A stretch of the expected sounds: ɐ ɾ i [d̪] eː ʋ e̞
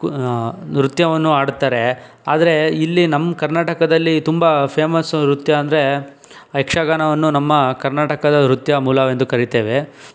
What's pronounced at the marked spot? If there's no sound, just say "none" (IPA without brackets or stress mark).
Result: t̪